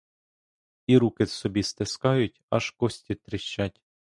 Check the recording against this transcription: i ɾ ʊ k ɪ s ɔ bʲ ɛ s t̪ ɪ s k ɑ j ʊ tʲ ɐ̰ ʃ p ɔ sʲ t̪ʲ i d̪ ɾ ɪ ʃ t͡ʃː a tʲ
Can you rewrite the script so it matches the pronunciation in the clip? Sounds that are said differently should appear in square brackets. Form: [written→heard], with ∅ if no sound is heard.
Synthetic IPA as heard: i ɾ [ʊ→u] k ɪ s ɔ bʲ [ɛ→i] s t̪ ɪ s k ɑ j ʊ tʲ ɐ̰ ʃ [p→k] ɔ sʲ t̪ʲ i [d̪→t̪] ɾ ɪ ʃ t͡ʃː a tʲ